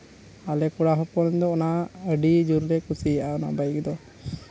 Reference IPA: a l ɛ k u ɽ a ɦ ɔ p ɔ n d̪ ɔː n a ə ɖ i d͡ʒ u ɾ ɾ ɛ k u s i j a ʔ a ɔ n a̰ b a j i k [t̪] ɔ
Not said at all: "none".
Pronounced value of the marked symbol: d̪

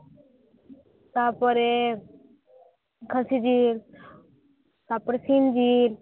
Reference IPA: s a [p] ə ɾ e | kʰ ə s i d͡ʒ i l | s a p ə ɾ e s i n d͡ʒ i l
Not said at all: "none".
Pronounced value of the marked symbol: p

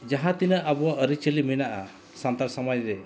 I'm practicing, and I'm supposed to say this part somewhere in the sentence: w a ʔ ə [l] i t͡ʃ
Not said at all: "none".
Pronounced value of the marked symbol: ɾ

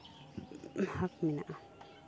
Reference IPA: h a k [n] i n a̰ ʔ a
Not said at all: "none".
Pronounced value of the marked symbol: m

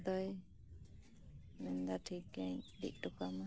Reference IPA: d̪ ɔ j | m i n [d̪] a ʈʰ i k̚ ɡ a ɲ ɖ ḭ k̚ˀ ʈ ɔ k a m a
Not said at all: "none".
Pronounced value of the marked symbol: d̪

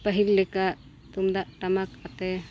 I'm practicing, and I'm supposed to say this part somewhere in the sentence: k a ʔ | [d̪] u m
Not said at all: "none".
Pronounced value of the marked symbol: t̪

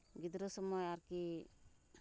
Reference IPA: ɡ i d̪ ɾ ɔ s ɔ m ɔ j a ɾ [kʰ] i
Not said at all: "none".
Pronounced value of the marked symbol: k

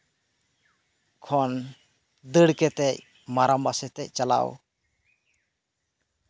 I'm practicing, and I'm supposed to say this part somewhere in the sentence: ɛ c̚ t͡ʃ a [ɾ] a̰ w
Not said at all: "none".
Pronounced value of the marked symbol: l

